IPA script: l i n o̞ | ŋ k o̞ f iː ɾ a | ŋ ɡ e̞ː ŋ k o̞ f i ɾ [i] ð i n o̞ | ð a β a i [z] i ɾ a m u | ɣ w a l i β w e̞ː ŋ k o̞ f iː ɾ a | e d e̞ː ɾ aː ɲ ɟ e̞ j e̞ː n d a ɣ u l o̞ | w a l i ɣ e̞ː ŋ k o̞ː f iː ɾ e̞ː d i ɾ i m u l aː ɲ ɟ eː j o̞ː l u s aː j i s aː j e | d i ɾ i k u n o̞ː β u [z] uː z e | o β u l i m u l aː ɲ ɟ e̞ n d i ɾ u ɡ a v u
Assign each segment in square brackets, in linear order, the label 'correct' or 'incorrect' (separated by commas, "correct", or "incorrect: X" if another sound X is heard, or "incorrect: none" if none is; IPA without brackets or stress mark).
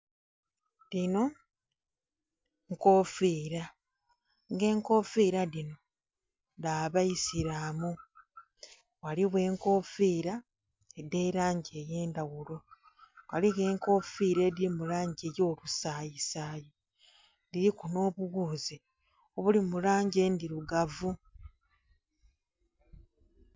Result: incorrect: a, incorrect: s, incorrect: ɣ